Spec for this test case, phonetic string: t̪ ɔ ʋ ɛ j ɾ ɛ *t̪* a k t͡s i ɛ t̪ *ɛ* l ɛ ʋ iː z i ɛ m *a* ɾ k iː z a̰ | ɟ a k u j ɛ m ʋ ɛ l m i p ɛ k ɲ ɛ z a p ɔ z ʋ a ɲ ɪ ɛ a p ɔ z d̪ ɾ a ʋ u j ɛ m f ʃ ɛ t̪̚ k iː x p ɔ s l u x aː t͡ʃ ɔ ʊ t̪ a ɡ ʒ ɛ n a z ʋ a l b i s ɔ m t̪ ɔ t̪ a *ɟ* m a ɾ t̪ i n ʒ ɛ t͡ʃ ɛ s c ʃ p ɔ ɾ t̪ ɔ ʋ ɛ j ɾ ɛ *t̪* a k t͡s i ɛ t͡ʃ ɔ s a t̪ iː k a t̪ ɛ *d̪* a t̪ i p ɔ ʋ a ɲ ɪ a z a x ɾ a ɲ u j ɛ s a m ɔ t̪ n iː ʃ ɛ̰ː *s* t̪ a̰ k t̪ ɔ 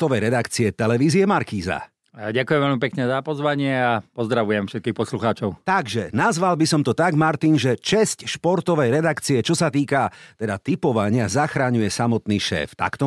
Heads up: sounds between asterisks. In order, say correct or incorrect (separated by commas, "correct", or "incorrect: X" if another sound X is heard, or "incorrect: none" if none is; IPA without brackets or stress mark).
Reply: incorrect: d̪, correct, correct, incorrect: ɡ, incorrect: d̪, correct, incorrect: f